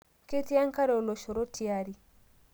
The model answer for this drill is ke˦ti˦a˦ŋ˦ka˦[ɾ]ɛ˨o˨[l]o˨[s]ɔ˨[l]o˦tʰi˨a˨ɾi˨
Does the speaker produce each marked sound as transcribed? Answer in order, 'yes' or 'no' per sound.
yes, yes, no, no

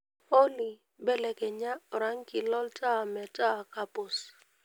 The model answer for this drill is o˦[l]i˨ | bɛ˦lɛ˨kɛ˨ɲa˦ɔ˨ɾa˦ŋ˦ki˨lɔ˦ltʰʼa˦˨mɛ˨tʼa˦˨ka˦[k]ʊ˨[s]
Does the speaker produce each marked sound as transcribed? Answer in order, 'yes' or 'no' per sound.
yes, no, yes

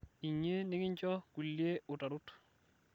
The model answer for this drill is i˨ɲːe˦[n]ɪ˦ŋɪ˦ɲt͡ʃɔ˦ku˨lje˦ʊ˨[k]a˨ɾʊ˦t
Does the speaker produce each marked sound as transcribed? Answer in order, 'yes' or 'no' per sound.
yes, no

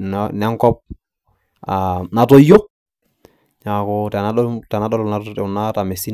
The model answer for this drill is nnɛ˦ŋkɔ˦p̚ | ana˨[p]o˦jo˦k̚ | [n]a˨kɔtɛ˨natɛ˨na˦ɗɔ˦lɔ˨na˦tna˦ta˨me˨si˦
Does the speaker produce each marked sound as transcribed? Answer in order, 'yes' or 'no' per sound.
no, no

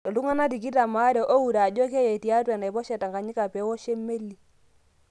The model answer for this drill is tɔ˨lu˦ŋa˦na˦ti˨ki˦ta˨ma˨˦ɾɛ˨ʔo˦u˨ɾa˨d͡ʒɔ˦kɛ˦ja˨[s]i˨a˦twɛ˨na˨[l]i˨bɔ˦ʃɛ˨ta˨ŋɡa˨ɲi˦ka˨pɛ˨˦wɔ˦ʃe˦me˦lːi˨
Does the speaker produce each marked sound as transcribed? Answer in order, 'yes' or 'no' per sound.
no, no

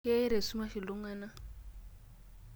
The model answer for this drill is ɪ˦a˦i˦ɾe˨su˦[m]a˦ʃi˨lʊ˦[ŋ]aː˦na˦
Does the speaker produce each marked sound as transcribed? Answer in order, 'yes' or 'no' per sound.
yes, yes

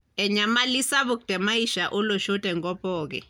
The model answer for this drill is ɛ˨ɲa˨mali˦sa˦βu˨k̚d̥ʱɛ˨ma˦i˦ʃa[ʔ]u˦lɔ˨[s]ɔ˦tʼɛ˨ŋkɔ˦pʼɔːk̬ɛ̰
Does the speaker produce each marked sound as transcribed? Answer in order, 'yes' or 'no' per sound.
yes, no

